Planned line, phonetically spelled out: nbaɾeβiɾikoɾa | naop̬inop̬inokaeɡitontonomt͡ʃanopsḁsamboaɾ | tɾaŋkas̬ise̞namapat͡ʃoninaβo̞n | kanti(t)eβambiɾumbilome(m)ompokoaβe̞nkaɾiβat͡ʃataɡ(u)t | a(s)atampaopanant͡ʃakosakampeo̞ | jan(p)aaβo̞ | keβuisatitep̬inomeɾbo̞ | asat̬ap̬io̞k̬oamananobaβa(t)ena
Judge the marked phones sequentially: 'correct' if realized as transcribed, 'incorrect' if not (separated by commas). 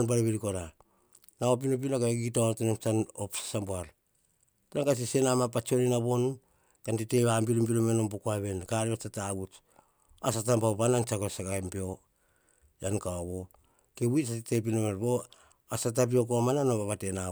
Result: correct, incorrect, correct, correct, incorrect, correct